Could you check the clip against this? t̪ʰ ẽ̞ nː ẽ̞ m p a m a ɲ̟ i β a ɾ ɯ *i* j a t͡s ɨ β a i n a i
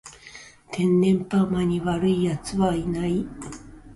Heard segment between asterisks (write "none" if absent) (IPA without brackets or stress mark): i